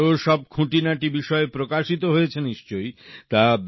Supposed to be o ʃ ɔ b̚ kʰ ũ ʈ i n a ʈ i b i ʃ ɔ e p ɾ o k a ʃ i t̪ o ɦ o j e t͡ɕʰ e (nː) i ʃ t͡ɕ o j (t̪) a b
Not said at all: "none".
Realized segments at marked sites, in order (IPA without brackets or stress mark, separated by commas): n, t̪